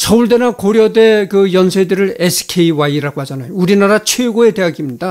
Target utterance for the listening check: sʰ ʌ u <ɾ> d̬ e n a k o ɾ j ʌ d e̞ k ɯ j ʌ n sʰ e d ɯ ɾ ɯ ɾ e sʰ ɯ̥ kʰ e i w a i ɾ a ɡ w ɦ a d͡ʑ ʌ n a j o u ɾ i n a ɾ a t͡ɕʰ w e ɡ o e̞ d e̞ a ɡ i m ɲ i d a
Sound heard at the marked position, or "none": ɭ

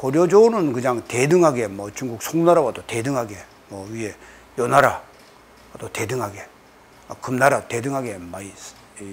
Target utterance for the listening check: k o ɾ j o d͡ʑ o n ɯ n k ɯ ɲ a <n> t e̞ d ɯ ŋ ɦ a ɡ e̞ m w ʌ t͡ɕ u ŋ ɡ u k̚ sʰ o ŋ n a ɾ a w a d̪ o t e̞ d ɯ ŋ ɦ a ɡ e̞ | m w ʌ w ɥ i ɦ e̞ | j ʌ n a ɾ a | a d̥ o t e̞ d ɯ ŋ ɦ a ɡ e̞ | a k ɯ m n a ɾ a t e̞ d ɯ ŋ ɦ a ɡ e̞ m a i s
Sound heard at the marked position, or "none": ŋ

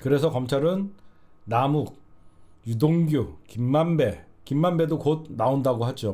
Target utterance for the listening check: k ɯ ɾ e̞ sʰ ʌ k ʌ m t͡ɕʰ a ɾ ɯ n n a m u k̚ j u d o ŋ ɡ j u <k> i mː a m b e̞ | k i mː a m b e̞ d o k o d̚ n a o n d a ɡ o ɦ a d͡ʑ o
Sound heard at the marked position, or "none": k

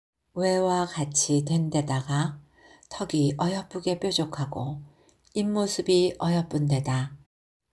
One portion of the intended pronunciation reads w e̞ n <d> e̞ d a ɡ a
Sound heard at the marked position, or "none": d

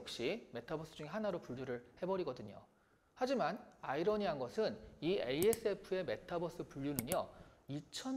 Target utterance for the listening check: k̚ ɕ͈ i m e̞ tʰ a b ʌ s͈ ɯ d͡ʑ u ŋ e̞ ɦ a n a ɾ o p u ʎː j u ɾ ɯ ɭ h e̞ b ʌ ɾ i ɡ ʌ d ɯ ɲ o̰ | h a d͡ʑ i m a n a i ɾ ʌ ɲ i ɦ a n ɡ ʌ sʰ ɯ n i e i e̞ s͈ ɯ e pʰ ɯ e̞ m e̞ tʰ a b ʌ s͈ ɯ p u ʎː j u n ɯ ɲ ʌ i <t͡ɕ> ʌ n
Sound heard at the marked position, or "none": t͡ɕʰ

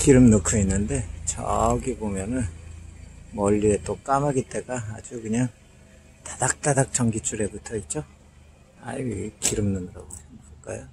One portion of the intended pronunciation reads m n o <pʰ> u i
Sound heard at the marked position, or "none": kʰ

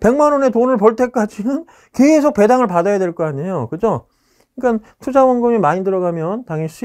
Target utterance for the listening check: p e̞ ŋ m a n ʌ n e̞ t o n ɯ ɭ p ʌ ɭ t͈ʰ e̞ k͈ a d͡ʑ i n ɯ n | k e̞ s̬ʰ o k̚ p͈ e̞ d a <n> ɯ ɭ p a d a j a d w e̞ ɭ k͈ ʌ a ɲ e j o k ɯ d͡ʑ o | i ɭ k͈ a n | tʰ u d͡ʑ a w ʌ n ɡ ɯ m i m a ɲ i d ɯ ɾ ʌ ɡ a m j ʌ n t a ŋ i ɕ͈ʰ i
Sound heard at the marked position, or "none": ŋ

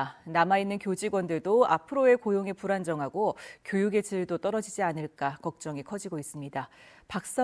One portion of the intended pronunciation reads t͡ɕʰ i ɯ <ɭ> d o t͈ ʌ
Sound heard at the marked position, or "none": ɭ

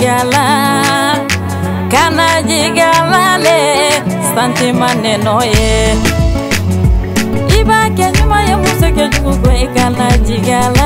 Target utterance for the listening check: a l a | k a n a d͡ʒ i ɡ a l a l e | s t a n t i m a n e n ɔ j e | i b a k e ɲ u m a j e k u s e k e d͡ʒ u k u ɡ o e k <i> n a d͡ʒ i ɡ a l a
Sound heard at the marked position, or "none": a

